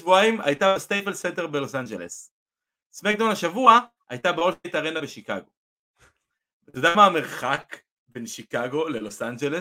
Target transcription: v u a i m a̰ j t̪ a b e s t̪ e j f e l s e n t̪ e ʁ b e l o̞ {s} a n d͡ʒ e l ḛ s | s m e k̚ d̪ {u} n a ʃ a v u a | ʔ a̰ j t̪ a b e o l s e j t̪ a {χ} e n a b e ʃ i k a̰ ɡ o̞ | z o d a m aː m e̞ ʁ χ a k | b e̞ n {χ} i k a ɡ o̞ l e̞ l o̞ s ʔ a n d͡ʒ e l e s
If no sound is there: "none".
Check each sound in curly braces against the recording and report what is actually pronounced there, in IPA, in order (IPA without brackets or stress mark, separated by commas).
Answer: s, o, ʁ, ʃ